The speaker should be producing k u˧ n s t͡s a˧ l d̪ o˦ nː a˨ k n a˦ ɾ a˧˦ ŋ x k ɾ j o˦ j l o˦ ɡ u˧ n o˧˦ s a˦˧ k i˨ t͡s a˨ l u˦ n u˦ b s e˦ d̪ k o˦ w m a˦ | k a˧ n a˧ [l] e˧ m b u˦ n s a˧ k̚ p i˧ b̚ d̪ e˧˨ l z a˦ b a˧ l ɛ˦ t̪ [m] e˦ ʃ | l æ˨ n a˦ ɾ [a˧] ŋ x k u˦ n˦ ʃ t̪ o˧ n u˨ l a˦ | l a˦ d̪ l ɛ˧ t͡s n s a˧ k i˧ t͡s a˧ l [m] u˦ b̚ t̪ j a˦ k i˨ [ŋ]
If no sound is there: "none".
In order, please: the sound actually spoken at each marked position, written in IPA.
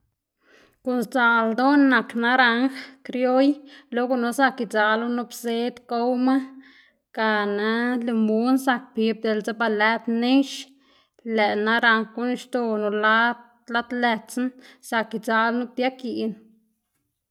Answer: l, n, a˧, n, n

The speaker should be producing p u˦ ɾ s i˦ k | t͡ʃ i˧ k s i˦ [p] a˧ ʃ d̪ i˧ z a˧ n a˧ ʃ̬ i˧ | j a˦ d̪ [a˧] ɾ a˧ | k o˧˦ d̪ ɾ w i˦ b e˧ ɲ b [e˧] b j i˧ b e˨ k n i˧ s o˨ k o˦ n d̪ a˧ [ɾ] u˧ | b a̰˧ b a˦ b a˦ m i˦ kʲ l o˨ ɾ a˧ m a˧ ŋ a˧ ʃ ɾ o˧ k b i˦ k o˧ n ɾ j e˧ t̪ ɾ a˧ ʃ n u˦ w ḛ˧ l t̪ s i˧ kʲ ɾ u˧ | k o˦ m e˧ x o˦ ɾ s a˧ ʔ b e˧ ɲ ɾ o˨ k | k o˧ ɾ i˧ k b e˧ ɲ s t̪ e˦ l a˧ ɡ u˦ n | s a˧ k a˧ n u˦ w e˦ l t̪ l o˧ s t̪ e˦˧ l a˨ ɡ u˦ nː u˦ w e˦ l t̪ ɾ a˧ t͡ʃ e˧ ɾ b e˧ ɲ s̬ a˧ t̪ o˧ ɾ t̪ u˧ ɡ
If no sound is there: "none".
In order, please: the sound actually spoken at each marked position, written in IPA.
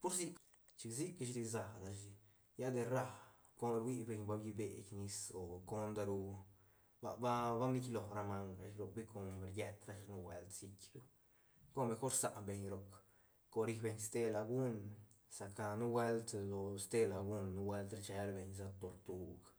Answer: k, e˧, a˧, ɾ

